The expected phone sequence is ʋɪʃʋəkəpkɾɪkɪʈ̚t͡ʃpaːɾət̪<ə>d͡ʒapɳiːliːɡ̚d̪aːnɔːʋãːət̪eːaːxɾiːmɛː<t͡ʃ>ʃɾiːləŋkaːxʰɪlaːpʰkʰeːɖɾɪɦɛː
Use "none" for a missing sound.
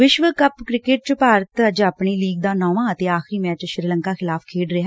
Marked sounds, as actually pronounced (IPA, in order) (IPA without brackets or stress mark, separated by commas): ə, t͡ʃ